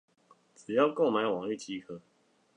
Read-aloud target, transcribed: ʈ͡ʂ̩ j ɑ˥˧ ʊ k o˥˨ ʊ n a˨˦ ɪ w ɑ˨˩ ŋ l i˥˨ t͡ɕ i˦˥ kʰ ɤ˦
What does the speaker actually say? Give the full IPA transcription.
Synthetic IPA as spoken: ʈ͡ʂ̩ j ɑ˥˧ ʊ k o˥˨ ʊ m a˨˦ ɪ w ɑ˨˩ ŋ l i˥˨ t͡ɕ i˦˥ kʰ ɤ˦